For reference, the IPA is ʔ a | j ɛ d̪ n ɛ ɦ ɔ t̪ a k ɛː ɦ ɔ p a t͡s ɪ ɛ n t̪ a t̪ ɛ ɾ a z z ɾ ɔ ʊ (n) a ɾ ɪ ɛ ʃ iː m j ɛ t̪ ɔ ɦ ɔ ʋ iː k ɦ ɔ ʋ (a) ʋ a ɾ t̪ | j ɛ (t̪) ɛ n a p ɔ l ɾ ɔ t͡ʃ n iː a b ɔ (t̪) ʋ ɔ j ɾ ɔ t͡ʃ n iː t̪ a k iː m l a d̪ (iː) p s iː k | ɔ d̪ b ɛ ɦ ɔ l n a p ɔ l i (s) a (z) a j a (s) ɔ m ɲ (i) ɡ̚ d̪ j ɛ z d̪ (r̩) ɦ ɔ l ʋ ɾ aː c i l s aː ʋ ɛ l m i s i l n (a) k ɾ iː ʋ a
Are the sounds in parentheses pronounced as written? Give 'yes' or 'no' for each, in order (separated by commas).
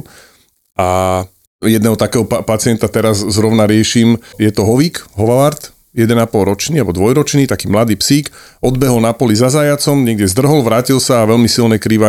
yes, yes, no, no, yes, no, yes, no, no, yes, no